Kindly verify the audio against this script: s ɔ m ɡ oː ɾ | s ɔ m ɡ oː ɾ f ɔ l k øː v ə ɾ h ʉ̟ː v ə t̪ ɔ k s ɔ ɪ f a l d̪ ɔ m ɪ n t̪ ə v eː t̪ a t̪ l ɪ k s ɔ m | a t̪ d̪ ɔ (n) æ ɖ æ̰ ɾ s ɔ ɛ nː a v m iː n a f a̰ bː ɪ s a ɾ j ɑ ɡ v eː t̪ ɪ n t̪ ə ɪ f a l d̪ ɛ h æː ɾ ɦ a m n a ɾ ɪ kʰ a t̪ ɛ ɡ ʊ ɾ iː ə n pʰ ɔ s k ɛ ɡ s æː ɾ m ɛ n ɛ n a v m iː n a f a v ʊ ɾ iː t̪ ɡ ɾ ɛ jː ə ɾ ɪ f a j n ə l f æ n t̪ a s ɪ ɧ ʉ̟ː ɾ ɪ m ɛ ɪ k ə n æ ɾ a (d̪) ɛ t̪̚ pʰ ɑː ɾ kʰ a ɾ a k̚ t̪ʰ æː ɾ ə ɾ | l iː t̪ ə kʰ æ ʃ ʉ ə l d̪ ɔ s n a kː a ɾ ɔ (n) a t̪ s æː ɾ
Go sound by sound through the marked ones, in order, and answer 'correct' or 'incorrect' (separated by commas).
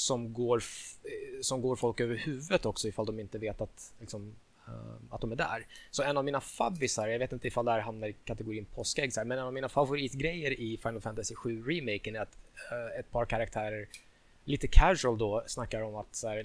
incorrect, incorrect, incorrect